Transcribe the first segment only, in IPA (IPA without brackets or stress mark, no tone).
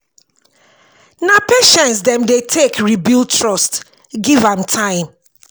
n